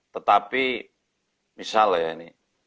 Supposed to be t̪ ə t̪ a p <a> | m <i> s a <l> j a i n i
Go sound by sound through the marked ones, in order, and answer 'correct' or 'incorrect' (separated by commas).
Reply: incorrect, correct, correct